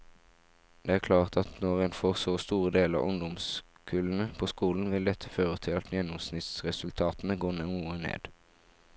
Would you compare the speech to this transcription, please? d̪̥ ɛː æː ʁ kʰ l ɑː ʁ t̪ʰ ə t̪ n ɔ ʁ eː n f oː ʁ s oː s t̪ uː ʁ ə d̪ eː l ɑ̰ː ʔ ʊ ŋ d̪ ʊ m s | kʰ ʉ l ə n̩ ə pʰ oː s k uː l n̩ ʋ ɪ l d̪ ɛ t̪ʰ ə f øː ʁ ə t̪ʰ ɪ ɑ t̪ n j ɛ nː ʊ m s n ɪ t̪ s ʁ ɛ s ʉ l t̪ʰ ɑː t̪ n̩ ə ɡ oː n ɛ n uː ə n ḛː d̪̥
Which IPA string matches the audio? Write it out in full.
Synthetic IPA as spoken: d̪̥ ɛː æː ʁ kʰ l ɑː ʁ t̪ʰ ɑ t̪ n ɔ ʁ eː n f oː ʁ s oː s t̪ uː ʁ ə d̪ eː l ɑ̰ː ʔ ʊ ŋ d̪ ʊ m s | kʰ ʉ l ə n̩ ə pʰ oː s k uː l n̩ ʋ ɪ l d̪ ɛ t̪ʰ ə f øː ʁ ə t̪ʰ ɪ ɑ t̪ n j ɛ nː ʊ m s n ɪ t̪ s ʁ ɛ s ʉ l t̪ʰ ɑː t̪ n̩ ə ɡ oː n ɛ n uː ə n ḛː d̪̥